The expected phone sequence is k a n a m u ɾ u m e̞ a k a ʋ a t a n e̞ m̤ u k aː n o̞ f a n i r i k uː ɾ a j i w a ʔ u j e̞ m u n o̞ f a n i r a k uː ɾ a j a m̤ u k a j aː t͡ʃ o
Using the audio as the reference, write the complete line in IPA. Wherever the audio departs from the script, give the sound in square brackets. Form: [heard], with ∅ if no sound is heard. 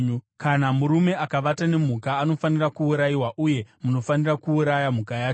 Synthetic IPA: k a n a m u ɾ u m e̞ a k a ʋ a t a n e̞ m̤ u k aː n o̞ f a n i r [a] k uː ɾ a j i w a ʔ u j e̞ m u n o̞ f a n i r a k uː ɾ a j a m̤ u k a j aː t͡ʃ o